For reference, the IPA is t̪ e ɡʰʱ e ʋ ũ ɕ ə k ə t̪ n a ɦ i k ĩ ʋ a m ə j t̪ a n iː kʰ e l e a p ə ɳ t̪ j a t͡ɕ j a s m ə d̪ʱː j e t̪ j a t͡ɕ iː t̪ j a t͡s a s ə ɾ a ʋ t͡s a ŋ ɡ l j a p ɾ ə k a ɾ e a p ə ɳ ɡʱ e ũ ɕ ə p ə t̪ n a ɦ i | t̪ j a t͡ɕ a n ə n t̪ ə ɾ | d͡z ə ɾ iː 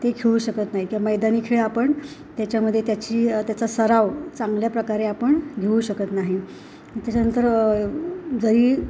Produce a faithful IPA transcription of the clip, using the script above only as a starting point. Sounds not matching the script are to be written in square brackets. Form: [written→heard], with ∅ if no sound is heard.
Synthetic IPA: t̪ e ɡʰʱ e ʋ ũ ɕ ə k ə t̪ n a ɦ i k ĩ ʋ a m ə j [t̪→d̪] a n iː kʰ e [l→ɭ] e a p ə ɳ t̪ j a t͡ɕ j a [s→∅] m ə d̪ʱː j e t̪ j a t͡ɕ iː t̪ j a t͡s a s ə ɾ a ʋ t͡s a ŋ ɡ l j a p ɾ ə k a ɾ e a p ə ɳ ɡʱ e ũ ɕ ə [p→k] ə t̪ n a ɦ i | t̪ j a t͡ɕ a n ə n t̪ ə ɾ | d͡z ə ɾ iː

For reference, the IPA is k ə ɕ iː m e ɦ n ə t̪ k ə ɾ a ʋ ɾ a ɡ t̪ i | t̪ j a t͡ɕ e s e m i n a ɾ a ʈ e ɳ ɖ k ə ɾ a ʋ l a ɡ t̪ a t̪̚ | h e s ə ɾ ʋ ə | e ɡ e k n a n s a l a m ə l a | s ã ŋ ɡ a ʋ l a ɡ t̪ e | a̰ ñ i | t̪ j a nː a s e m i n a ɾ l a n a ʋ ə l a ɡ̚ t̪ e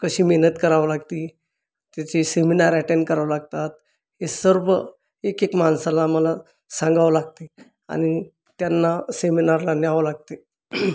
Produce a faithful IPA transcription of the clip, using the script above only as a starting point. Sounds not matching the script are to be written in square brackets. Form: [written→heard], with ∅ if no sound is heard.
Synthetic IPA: k ə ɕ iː m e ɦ n ə t̪ k ə ɾ a ʋ [ɾ→l] a ɡ t̪ i | t̪ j a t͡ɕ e s e m i n a ɾ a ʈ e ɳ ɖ k ə ɾ a ʋ l a ɡ t̪ a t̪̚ | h e s ə ɾ ʋ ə | e [ɡ→k] e k [n→m] a n s a l a m ə l a | s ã ŋ ɡ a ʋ l a ɡ t̪ e | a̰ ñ i | t̪ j a nː a s e m i n a ɾ l a n a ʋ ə l a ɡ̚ t̪ e

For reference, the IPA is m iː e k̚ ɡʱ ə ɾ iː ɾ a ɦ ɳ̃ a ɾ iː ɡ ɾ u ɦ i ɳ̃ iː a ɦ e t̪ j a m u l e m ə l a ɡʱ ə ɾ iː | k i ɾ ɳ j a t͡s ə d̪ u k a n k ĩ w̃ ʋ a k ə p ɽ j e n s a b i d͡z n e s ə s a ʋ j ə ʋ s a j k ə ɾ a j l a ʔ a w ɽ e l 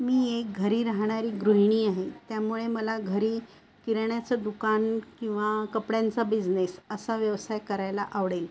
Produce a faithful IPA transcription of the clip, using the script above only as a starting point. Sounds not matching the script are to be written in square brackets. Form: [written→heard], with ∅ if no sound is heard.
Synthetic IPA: m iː e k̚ ɡʱ ə ɾ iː ɾ a ɦ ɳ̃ a ɾ iː ɡ ɾ u ɦ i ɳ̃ iː a ɦ e t̪ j a m u [l→ɭ] e m ə l a ɡʱ ə ɾ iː | k i ɾ ɳ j a t͡s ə d̪ u k a n k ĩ w̃ ʋ a k ə p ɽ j [e→a] n [s→t͡s] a b i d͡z n e s ə s a ʋ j ə ʋ s a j k ə ɾ a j l a ʔ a [w→ʋ] ɽ e l

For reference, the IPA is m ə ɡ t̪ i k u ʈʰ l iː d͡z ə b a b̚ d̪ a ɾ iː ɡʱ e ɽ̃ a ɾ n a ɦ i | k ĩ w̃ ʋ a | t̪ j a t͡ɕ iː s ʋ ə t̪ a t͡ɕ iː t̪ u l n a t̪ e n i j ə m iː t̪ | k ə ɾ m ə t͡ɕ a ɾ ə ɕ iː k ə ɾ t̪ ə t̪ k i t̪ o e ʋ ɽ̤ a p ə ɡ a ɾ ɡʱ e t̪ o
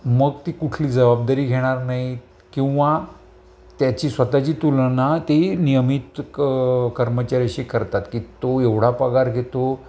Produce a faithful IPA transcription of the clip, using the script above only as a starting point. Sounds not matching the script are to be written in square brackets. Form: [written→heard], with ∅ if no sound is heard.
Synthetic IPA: m ə ɡ t̪ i k u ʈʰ l iː d͡z ə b a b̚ d̪ a ɾ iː ɡʱ e ɽ̃ a ɾ n a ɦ i | k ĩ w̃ ʋ a | t̪ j a t͡ɕ iː s ʋ ə t̪ a t͡ɕ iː t̪ u l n a t̪ e n i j ə m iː t̪ | k ə ɾ m ə t͡ɕ a ɾ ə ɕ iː k ə ɾ t̪ [ə→a] t̪ k i t̪ o e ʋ ɽ̤ a p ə ɡ a ɾ ɡʱ e t̪ o

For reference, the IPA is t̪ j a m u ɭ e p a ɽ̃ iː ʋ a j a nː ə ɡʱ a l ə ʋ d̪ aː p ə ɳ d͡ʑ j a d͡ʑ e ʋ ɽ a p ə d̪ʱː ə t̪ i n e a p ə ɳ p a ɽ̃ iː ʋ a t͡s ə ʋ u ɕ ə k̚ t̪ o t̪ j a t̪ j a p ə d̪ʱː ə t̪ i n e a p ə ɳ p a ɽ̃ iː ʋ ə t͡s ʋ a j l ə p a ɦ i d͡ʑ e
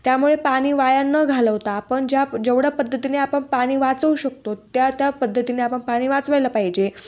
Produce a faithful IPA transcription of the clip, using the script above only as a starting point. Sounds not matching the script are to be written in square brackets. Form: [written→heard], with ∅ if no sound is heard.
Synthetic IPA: t̪ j a m u ɭ e p a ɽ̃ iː ʋ a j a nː ə ɡʱ a l ə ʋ [d̪→t̪] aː p ə ɳ d͡ʑ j a d͡ʑ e ʋ ɽ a p ə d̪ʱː ə t̪ i n e a p ə ɳ p a ɽ̃ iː ʋ a t͡s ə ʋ u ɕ ə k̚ t̪ o t̪ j a t̪ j a p ə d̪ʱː ə t̪ i n e a p ə ɳ p a ɽ̃ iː ʋ [ə→a] t͡s ʋ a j l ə p a ɦ i d͡ʑ e

